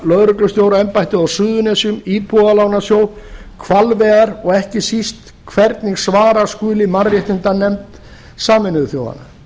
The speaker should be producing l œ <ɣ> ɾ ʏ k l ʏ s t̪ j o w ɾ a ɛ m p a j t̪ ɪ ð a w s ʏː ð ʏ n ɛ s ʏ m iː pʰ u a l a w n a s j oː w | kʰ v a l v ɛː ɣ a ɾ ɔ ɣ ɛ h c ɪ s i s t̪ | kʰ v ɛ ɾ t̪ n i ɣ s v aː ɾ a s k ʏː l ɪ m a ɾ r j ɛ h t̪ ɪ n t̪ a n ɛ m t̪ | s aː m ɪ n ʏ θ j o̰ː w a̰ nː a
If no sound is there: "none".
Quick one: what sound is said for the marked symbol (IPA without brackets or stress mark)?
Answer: ð